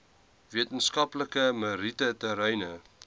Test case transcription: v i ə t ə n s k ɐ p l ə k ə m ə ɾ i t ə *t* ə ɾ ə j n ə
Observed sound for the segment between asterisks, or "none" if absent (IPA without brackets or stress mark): t